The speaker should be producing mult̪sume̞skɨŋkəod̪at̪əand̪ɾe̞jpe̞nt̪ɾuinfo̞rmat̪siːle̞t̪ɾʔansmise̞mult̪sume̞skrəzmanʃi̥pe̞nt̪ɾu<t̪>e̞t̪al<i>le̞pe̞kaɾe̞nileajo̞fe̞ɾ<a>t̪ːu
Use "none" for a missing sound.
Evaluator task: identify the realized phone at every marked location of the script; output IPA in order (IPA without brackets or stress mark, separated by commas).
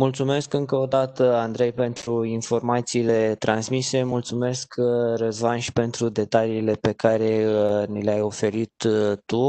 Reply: d̪, iː, i